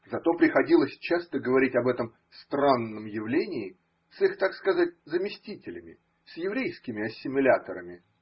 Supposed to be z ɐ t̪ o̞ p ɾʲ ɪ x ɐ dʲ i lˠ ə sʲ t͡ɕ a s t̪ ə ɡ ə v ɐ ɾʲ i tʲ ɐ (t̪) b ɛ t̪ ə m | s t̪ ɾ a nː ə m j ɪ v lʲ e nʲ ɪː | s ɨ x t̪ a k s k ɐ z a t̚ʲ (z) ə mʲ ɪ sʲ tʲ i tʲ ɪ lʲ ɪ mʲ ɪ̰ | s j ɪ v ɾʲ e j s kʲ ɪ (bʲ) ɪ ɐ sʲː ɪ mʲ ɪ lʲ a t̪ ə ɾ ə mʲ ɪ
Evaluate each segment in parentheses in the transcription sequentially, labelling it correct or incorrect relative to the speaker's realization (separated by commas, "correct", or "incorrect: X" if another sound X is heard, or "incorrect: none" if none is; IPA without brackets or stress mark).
incorrect: none, correct, incorrect: mʲ